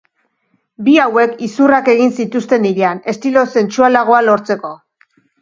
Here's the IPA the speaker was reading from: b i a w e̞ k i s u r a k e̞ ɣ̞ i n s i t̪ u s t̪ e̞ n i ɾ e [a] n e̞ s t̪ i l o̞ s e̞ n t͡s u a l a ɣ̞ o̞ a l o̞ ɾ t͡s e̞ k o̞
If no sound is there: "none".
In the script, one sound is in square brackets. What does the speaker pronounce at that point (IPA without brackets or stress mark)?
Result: a